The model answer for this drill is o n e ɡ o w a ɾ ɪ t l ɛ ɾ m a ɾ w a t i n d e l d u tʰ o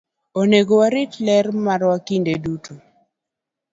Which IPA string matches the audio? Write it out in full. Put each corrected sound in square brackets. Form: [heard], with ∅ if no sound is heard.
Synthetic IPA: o n e ɡ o w a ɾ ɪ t l ɛ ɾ m a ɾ w a [k] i n d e [∅] d u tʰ o